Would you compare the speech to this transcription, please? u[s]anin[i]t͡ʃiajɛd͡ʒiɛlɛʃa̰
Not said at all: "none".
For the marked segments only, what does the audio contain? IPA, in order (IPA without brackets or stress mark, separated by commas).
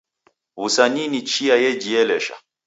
s, i